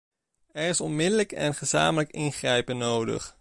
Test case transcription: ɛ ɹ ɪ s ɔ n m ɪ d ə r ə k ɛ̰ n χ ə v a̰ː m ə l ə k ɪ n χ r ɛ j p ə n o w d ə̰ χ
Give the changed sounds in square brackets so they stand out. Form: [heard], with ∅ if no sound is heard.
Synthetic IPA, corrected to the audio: ɛ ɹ ɪ s ɔ n m ɪ d ə [l] ə k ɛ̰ n χ ə [z] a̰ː m ə l ə k ɪ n χ r ɛ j p ə n o w d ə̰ χ

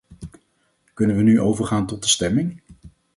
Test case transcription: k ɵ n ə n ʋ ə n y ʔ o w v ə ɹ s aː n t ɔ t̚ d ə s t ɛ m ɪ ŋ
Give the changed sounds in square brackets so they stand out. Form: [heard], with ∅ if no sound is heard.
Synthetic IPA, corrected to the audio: k ɵ n ə n ʋ ə n y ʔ o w v ə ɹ [χ] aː n t ɔ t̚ d ə s t ɛ m ɪ ŋ

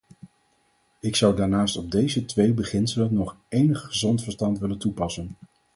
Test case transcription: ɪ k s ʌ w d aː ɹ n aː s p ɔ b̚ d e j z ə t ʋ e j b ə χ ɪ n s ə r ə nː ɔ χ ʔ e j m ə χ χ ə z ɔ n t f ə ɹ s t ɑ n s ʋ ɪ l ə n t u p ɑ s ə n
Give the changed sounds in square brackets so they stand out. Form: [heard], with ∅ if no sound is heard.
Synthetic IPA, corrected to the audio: ɪ k s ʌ w d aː ɹ n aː s [t] ɔ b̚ d e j z ə t ʋ e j b ə χ ɪ n s ə [l] ə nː ɔ χ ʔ e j [n] ə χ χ ə z ɔ n t f ə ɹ s t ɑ n [t] ʋ ɪ l ə n t u p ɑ s ə n

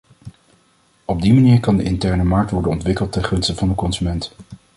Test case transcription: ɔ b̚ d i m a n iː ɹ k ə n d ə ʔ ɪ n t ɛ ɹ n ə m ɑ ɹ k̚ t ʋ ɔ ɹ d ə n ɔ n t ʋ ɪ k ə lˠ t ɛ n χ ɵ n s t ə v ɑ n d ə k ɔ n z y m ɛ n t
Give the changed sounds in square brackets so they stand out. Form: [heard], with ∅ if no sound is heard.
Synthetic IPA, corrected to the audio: ɔ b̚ d i m a n iː ɹ k [ɑ] n d ə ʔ ɪ n t ɛ ɹ n ə m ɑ ɹ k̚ t ʋ ɔ ɹ d ə n ɔ n t ʋ ɪ k ə lˠ t ɛ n χ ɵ n s t ə v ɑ n d ə k ɔ n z y m ɛ n t

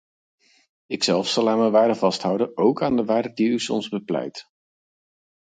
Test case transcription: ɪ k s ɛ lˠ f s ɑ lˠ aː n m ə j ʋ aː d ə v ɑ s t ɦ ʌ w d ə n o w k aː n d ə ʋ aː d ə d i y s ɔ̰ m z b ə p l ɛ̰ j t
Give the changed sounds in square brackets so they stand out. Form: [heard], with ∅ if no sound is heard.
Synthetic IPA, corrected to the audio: ɪ k s ɛ lˠ f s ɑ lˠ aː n m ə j ʋ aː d ə v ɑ s t ɦ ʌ w d ə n o w k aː n d ə ʋ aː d ə d i y s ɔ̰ m z b ə p l ɛ̰ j t

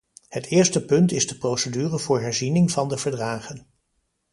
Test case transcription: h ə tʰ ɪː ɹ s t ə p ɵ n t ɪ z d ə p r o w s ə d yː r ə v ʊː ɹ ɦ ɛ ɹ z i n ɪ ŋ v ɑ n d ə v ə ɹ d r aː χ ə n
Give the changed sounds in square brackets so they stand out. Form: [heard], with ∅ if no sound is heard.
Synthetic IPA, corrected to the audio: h ə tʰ ɪː ɹ s t ə p ɵ n t ɪ z d ə p r o w s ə d yː r ə v ʊː ɹ ɦ ɛ ɹ z i n ɪ ŋ v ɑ n d ə v ə ɹ d r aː χ ə n

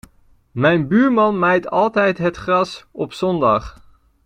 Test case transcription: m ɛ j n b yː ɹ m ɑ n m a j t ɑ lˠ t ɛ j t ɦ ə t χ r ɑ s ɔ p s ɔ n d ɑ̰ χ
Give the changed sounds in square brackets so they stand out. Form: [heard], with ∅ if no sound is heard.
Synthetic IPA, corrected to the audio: m ɛ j n b yː ɹ m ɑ n m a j t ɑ lˠ t ɛ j t ɦ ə t χ r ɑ s ɔ p s ɔ n d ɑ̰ χ

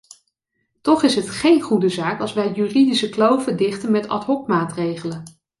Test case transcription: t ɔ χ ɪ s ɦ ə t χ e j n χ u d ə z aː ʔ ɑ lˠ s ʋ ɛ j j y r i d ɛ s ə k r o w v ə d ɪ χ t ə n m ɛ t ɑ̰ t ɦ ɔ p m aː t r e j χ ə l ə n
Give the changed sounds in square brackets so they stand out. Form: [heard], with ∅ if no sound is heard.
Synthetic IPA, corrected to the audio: t ɔ χ ɪ s ɦ ə t χ e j n χ u d ə z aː [k] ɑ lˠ s ʋ ɛ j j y r i d [i] s ə k [l] o w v ə d ɪ χ t ə n m ɛ t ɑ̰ t ɦ ɔ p m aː t r e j χ ə l ə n

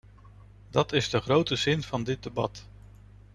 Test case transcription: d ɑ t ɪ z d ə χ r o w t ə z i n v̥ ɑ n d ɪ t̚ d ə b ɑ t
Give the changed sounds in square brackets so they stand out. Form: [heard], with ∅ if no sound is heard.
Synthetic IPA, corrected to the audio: d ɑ t ɪ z d ə χ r o w t ə z [ɪ] n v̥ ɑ n d ɪ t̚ d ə b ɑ t

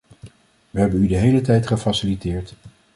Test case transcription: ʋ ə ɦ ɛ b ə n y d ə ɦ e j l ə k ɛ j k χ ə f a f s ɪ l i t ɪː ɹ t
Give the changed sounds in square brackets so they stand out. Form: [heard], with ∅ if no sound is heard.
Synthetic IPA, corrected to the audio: ʋ ə ɦ ɛ b ə n y d ə ɦ e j l ə [t] ɛ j [t] χ ə f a [∅] s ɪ l i t ɪː ɹ t

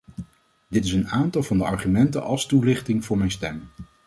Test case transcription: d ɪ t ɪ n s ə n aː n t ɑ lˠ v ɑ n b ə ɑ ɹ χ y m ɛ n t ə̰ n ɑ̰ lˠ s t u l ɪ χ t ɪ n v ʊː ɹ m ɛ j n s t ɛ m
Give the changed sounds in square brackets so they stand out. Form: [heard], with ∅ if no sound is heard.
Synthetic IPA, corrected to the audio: d ɪ t ɪ [∅] s ə n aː n t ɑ lˠ v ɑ n [d] ə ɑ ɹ χ y m ɛ n t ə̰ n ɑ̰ lˠ s t u l ɪ χ t ɪ [ŋ] v ʊː ɹ m ɛ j n s t ɛ m

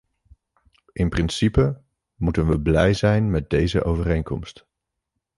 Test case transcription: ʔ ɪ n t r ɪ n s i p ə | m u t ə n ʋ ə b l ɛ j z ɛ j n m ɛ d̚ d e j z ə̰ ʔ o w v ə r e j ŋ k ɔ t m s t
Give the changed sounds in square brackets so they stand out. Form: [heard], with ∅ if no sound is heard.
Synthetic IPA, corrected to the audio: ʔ ɪ n [p] r ɪ n s i p ə | m u t ə n ʋ ə b l ɛ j z ɛ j n m ɛ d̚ d e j z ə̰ ʔ o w v ə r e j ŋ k ɔ [∅] m s t

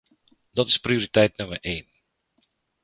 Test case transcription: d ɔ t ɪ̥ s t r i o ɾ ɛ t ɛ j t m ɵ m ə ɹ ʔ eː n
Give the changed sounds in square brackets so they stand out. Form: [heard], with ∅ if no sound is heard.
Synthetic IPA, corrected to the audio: d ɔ t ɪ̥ s [p] r i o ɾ [i] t ɛ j t [n] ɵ m ə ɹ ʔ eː n

